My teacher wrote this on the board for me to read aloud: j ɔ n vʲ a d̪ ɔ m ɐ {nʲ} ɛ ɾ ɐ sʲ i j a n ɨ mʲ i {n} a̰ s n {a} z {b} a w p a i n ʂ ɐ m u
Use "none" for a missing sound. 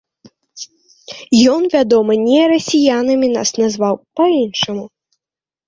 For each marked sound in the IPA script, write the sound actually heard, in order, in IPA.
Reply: nʲ, n, a, v

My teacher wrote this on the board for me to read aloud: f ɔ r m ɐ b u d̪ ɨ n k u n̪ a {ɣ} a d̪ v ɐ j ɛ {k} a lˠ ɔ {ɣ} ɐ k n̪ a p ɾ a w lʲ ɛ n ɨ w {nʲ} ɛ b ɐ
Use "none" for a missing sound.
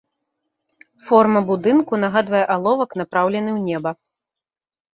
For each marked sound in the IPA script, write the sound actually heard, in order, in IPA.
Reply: ɣ, ʔ, v, nʲ

